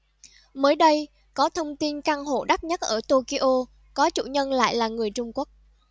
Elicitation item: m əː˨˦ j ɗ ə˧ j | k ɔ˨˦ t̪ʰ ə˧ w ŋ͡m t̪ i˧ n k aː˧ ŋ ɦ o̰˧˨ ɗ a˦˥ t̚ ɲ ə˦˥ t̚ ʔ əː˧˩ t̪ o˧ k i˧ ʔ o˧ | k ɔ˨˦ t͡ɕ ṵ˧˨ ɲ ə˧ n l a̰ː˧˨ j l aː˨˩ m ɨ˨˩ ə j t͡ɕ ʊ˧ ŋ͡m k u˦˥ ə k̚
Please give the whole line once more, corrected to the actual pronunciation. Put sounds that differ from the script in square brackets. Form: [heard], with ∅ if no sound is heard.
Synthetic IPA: m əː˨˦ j ɗ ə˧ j | k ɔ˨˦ t̪ʰ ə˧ w ŋ͡m t̪ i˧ n k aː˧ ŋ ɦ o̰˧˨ ɗ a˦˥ t̚ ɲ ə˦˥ t̚ ʔ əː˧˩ t̪ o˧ k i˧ ʔ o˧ | k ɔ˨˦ t͡ɕ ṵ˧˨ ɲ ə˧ n l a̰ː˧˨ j l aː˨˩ [ŋ] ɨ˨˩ ə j t͡ɕ ʊ˧ ŋ͡m k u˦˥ ə k̚